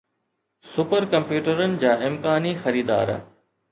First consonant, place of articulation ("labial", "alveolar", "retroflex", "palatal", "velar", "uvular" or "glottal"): alveolar